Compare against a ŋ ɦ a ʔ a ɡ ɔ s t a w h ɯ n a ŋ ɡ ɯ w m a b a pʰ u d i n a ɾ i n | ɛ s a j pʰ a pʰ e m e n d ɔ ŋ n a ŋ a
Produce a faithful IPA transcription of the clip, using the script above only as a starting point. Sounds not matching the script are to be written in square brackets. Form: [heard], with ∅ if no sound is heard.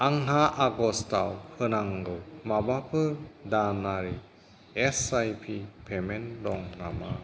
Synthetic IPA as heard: a ŋ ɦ a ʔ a ɡ ɔ s t a w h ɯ n a ŋ ɡ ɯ w m a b a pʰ [ɯ] d [a] n a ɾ i [∅] | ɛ s a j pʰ [i] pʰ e m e n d ɔ ŋ n a [m] a